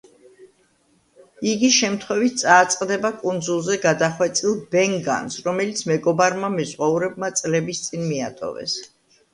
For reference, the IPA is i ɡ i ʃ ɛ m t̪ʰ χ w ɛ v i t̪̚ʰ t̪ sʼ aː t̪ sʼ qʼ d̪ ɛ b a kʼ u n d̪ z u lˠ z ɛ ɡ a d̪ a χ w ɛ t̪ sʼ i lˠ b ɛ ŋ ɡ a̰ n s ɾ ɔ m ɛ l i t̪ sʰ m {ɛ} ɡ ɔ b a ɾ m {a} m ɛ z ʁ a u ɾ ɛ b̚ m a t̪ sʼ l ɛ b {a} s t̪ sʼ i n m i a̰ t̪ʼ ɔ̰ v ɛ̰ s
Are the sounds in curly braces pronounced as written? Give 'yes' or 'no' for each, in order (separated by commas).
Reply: yes, yes, no